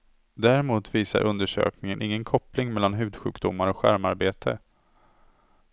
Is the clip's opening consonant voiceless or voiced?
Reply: voiced